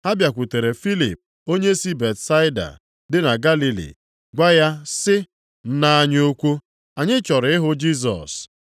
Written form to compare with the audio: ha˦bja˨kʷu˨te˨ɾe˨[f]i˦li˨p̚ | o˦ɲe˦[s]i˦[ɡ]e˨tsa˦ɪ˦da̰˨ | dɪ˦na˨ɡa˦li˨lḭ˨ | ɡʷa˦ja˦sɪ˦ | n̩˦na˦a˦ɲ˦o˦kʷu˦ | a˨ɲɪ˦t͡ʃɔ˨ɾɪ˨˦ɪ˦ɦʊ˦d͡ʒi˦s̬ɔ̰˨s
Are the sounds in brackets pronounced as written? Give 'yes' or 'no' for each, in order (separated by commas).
yes, yes, no